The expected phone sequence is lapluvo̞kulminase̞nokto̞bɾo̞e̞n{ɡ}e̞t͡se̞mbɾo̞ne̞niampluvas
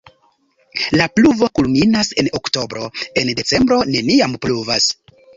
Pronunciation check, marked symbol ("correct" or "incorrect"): incorrect